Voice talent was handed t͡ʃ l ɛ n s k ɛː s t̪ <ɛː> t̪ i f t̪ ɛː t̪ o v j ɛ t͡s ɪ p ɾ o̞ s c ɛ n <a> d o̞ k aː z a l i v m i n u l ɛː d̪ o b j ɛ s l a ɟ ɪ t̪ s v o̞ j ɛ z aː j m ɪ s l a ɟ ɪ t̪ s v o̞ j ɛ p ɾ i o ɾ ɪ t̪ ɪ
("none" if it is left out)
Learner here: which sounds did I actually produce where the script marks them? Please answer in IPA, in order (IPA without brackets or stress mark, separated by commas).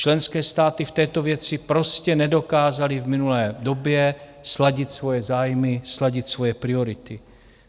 aː, ɛ